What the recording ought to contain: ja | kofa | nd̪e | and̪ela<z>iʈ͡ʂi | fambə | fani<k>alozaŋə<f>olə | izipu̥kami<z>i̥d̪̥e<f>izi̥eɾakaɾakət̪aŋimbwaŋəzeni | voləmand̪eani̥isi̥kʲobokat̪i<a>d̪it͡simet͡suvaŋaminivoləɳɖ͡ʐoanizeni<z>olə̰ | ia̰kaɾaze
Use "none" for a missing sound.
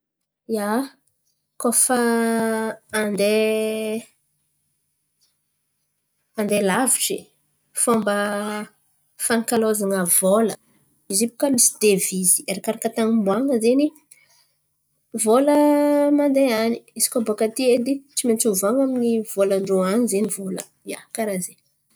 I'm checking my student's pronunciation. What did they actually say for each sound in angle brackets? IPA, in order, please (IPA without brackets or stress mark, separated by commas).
v, k, v, s, v, e, v